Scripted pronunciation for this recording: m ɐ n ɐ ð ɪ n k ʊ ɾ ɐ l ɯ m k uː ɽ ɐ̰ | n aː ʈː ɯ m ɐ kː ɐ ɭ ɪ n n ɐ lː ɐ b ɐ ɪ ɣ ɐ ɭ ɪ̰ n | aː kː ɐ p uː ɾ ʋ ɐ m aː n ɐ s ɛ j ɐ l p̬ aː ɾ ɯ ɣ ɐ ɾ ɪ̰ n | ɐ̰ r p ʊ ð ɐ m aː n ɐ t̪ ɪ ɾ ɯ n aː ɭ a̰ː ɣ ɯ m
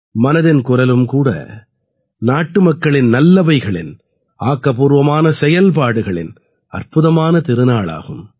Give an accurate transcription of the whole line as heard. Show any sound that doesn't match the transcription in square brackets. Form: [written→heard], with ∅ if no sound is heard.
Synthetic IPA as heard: m ɐ n ɐ ð ɪ n k ʊ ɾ ɐ l ɯ m k uː ɽ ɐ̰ | n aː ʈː ɯ m ɐ kː ɐ ɭ ɪ n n ɐ lː ɐ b ɐ ɪ ɣ ɐ ɭ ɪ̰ n | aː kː ɐ p uː ɾ ʋ ɐ m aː n ɐ s ɛ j ɐ l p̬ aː [ɾ→ɽ] ɯ ɣ ɐ [ɾ→ɭ] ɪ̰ n | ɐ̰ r p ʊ ð ɐ m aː n ɐ t̪ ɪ ɾ ɯ n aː ɭ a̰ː ɣ ɯ m